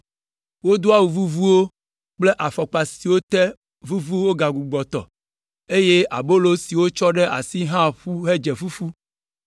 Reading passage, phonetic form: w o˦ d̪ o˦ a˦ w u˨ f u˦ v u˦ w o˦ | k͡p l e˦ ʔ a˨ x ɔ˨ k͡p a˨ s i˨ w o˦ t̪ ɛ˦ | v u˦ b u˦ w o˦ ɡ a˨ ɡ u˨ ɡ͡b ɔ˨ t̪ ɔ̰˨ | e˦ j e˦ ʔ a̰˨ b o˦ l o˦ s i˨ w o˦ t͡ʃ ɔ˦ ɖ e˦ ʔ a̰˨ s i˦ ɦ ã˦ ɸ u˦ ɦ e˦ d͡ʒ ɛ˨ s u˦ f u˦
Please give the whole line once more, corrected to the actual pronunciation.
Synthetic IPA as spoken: w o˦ d̪ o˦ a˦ w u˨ v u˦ v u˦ w o˦ | k͡p l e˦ ʔ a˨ f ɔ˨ k͡p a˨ s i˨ w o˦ t̪ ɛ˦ | v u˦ v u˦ w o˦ ɡ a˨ ɡ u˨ ɡ͡b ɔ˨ t̪ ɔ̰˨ | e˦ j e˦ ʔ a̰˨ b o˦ l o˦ s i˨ w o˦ t͡ʃ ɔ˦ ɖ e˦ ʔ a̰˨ s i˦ ɦ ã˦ ɸ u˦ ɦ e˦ d͡ʒ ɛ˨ f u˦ f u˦